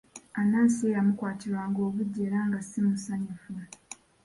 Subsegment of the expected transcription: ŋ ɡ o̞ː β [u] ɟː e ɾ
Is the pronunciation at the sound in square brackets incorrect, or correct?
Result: correct